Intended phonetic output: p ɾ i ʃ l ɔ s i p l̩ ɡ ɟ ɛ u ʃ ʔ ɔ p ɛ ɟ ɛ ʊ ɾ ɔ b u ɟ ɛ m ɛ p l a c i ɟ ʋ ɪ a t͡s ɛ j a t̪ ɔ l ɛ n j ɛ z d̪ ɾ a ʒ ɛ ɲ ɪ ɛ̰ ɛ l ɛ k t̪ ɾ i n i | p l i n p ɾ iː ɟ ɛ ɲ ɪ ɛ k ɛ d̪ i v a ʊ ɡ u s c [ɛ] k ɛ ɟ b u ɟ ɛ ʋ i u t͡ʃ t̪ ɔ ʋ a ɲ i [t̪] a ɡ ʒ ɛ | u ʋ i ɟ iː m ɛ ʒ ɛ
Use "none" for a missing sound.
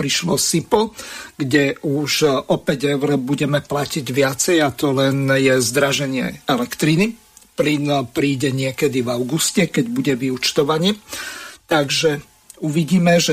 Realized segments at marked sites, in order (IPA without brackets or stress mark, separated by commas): ɛ, t̪